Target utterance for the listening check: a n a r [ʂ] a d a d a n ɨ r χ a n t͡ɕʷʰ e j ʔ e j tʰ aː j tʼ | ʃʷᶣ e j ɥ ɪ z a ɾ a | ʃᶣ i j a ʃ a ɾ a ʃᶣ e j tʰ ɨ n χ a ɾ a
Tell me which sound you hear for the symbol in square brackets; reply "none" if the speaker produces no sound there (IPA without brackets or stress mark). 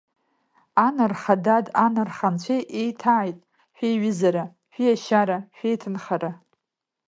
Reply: χ